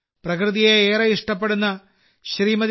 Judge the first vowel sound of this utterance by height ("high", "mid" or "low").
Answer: low